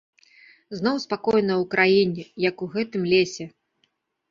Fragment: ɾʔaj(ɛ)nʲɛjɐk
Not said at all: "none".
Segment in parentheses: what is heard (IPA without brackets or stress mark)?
i